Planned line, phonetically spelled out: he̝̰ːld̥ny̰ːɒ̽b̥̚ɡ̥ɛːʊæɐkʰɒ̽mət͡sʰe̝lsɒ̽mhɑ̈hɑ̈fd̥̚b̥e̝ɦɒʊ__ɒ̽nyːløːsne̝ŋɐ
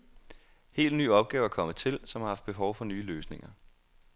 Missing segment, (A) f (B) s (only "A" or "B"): A